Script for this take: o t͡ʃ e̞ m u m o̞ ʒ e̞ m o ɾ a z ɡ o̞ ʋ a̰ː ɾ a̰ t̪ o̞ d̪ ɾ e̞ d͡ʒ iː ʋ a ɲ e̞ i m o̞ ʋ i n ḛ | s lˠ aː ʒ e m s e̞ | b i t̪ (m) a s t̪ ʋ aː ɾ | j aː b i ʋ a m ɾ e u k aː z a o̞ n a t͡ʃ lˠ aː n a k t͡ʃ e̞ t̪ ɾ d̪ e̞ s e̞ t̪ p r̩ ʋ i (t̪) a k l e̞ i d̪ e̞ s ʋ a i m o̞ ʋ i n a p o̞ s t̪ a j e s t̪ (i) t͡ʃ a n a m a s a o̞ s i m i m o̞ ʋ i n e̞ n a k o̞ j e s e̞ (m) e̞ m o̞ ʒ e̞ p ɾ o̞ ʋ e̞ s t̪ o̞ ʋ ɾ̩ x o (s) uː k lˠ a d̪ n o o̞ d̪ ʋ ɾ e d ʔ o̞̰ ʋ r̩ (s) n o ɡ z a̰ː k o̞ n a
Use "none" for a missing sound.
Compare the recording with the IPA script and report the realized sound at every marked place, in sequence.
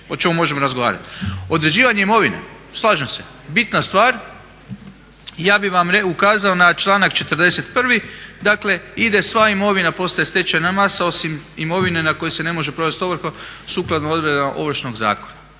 n, d̪, e, n, s, ʃ

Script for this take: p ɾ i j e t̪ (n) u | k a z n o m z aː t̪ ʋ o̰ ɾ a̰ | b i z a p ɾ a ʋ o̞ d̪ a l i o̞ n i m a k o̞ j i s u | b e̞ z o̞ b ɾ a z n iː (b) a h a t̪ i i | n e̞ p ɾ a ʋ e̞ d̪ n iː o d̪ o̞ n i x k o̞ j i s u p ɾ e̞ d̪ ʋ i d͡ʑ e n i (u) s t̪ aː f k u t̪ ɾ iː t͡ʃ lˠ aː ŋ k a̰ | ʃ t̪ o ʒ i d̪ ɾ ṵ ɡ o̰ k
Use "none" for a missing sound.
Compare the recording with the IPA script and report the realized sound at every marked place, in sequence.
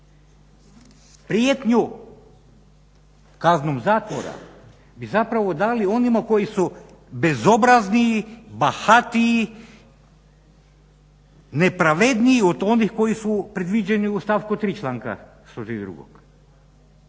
ɲ, b, u

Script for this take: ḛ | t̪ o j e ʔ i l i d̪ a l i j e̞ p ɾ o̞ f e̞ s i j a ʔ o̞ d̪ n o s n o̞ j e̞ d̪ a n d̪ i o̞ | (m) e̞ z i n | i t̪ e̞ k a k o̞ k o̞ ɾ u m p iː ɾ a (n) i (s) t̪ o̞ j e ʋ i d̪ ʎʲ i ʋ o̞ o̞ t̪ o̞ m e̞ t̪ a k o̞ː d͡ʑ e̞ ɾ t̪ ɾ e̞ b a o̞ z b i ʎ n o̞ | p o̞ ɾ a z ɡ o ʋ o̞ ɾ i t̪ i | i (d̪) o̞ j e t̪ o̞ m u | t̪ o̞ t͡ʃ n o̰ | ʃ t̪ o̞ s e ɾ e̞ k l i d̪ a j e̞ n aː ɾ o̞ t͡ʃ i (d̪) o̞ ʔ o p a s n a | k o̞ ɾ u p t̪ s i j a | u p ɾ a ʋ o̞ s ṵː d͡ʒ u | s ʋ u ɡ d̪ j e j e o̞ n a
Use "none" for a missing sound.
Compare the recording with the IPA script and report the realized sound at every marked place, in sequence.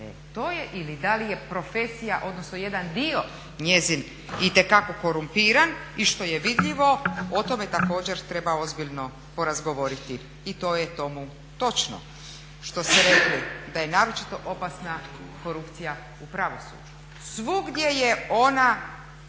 ɲ, n, ʃ, t̪, t̪

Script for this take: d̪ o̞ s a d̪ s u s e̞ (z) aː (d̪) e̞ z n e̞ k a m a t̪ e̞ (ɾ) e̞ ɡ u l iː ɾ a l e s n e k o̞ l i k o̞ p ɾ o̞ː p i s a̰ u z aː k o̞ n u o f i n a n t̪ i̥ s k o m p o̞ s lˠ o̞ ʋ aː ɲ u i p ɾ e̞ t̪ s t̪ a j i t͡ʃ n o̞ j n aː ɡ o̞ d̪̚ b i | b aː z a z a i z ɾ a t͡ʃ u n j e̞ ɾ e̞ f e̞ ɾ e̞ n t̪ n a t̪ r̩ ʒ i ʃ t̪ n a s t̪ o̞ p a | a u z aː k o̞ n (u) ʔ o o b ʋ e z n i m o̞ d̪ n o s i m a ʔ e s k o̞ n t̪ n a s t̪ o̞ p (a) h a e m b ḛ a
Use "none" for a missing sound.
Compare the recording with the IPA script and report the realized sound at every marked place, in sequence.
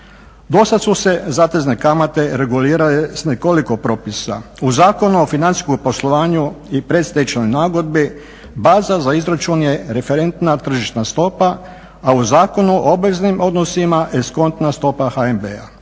z, t̪, ɾ, u, a

